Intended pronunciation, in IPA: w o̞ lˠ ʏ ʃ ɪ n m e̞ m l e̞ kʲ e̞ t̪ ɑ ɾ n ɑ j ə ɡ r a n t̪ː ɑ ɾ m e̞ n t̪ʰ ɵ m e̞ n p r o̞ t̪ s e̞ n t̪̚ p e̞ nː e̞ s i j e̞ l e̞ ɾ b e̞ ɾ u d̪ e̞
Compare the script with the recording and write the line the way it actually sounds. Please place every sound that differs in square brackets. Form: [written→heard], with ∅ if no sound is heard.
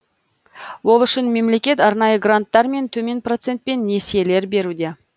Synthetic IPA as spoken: w o̞ lˠ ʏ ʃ ɪ n m e̞ m l e̞ kʲ e̞ t̪ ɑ ɾ n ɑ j ə ɡ r a n t̪ː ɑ ɾ m e̞ n t̪ʰ ɵ m e̞ n p r o̞ t̪ s e̞ n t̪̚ p e̞ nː e̞ s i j e̞ l e̞ ɾ b e̞ ɾ u d̪ e̞